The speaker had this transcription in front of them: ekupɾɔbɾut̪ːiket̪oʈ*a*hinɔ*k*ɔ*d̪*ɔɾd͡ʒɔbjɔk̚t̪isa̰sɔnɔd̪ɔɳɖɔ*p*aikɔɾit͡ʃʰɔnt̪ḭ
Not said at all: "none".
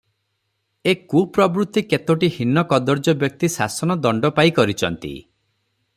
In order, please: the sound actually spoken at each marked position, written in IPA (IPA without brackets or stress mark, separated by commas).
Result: i, k, d̪, p